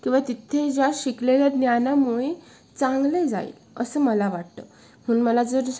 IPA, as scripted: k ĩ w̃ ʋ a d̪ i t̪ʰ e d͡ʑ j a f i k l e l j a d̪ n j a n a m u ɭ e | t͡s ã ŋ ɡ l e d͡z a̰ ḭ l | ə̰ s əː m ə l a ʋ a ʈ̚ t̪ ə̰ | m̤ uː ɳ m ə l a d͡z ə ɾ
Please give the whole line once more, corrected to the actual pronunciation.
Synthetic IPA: k ĩ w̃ ʋ a t̪ i t̪ʰ e d͡ʑ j a ɕ i k l e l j a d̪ n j a n a m u ɭ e | t͡s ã ŋ ɡ l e d͡z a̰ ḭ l | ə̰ s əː m ə l a ʋ a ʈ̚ t̪ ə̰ | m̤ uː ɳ m ə l a d͡z ə ɾ